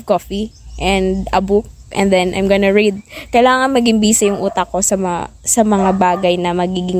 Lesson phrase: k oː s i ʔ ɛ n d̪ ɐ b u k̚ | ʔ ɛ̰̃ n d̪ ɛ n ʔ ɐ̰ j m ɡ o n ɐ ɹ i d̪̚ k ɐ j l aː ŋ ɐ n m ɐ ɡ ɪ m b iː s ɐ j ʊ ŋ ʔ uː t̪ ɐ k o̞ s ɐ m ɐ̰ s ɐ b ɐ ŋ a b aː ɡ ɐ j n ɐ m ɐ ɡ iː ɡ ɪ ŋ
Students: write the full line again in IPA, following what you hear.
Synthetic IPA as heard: k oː f i ʔ ɛ n d̪ ɐ b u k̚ | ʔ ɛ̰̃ n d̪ ɛ n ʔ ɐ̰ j m ɡ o n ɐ ɹ i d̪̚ k ɐ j l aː ŋ ɐ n m ɐ ɡ ɪ m b iː s ɐ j ʊ ŋ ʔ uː t̪ ɐ k o̞ s ɐ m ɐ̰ s ɐ m ɐ ŋ a b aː ɡ ɐ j n ɐ m ɐ ɡ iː ɡ ɪ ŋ